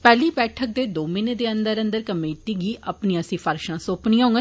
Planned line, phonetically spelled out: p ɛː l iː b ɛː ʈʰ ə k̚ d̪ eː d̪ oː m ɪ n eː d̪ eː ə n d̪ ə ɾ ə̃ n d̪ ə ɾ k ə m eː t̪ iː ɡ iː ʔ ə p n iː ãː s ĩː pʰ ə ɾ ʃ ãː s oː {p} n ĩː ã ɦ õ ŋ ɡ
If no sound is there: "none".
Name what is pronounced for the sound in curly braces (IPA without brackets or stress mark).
p